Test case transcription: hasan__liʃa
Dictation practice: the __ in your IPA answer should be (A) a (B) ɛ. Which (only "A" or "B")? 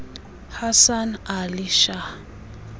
A